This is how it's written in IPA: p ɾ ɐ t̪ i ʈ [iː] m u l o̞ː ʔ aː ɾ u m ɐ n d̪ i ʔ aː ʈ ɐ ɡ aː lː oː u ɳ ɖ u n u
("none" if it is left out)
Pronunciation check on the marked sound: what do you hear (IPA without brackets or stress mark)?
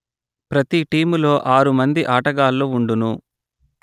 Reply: iː